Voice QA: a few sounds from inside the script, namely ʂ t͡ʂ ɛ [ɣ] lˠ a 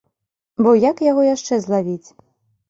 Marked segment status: incorrect: z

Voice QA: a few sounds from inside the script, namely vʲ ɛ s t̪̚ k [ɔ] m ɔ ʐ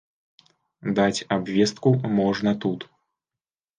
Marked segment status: incorrect: u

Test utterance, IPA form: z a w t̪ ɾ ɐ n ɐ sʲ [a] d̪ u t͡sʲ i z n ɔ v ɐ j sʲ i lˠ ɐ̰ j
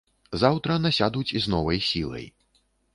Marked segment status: correct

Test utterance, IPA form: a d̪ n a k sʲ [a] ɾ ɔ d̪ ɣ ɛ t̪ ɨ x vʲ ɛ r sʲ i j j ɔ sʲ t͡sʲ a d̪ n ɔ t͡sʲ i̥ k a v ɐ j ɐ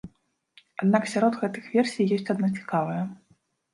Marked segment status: correct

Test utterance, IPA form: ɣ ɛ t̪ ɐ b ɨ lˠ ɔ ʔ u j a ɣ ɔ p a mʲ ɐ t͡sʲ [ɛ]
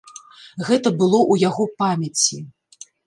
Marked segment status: incorrect: i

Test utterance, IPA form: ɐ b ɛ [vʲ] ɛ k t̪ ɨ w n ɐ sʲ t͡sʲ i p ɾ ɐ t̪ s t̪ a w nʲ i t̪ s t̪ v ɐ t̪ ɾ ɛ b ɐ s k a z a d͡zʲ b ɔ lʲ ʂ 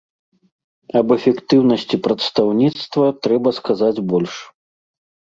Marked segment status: incorrect: fʲ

